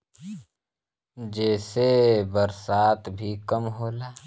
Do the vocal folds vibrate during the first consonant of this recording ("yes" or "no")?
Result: yes